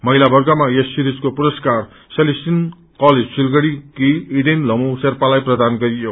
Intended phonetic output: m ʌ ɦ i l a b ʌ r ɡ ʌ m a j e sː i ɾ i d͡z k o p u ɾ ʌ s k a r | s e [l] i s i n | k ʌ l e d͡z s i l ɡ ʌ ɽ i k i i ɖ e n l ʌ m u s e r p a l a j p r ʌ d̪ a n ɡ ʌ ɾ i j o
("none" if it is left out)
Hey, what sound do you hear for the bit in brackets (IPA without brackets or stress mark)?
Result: l